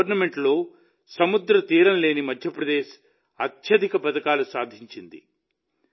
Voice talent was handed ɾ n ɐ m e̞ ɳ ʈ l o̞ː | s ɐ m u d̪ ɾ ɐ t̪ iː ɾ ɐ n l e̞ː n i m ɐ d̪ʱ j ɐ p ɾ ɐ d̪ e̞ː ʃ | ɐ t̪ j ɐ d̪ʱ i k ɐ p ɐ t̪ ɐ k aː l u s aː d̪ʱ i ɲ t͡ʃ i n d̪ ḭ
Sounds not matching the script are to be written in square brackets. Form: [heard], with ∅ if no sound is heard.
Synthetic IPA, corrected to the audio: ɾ n ɐ m e̞ ɳ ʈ l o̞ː | s ɐ m u d̪ ɾ ɐ t̪ iː ɾ ɐ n l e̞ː n i m ɐ d̪ʱ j ɐ p ɾ ɐ d̪ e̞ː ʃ | ɐ t̪ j ɐ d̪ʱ i k ɐ p ɐ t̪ ɐ k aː l u s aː d̪ʱ i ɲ t͡ʃ i n d̪ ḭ

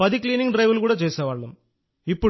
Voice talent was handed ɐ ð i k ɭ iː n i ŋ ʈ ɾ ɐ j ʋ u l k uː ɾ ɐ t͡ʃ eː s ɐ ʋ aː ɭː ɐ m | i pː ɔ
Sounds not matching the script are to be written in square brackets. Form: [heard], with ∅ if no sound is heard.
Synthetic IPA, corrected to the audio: ɐ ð i k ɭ iː n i ŋ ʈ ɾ ɐ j ʋ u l k uː [ɽ] ɐ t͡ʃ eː s ɐ ʋ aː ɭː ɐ m | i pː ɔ

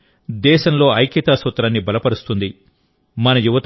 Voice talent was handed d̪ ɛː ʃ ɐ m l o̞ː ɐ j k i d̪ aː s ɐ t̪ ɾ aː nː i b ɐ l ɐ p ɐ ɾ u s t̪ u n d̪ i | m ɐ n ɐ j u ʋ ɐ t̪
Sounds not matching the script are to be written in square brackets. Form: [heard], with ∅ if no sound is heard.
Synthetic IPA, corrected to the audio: d̪ ɛː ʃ ɐ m l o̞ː ɐ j k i [t̪] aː s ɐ t̪ ɾ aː nː i b ɐ l ɐ p ɐ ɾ u s t̪ u n d̪ i | m ɐ n ɐ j u ʋ ɐ t̪

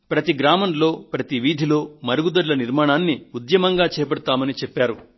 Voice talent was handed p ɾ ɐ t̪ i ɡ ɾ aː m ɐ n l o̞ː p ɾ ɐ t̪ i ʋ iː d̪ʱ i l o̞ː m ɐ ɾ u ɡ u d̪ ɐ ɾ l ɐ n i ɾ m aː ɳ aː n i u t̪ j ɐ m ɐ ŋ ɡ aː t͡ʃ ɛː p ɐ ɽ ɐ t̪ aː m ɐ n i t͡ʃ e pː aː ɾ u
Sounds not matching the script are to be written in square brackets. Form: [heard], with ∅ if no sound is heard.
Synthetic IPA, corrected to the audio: p ɾ ɐ t̪ i ɡ ɾ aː m ɐ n l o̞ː p ɾ ɐ t̪ i ʋ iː d̪ʱ i l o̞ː m ɐ ɾ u ɡ u d̪ ɐ ɾ l ɐ n i ɾ m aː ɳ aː [nː] i u [d̪] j ɐ m ɐ ŋ ɡ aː t͡ʃ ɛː p ɐ ɽ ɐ t̪ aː m ɐ n i t͡ʃ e pː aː ɾ u

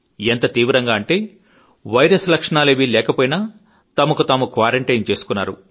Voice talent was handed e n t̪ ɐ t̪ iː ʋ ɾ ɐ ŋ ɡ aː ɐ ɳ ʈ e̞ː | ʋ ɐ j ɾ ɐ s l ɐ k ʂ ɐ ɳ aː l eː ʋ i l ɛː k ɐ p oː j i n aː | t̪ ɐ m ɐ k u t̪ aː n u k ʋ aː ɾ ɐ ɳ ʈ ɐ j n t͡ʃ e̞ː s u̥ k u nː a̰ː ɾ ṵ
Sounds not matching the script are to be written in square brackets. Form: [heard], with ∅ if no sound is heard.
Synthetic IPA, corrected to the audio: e n t̪ ɐ t̪ iː ʋ ɾ ɐ ŋ ɡ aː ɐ ɳ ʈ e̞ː | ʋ ɐ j ɾ ɐ s l ɐ k ʂ ɐ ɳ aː l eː ʋ i l ɛː k ɐ p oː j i n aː | t̪ ɐ m ɐ k u t̪ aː [m] u k ʋ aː ɾ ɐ ɳ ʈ ɐ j n t͡ʃ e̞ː s u̥ k u nː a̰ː ɾ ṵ

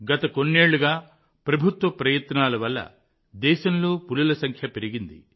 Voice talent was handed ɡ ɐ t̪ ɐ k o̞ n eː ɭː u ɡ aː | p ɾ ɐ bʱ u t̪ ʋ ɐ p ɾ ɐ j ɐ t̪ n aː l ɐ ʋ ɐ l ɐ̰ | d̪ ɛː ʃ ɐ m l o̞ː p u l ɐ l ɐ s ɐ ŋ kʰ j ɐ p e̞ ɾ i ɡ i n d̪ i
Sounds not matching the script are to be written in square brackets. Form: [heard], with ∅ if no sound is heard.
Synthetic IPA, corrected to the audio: ɡ ɐ t̪ ɐ k o̞ [nː] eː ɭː u ɡ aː | p ɾ ɐ bʱ u t̪ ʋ ɐ p ɾ ɐ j ɐ t̪ n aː l ɐ ʋ ɐ [lː] ɐ̰ | d̪ ɛː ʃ ɐ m l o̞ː p u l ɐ l ɐ s ɐ ŋ kʰ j ɐ p e̞ ɾ i ɡ i n d̪ i

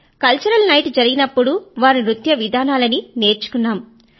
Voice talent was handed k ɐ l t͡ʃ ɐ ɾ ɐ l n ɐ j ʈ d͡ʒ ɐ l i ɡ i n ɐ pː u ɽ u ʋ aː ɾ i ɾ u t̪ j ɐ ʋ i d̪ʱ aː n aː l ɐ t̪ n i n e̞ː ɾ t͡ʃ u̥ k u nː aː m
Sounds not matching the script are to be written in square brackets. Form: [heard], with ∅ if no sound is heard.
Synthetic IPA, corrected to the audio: k ɐ l t͡ʃ ɐ ɾ ɐ l n ɐ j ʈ d͡ʒ ɐ [ɾ] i ɡ i n ɐ pː u ɽ u ʋ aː ɾ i ɾ u t̪ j ɐ ʋ i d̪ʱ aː n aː l ɐ [∅] n i n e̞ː ɾ t͡ʃ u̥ k u nː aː m

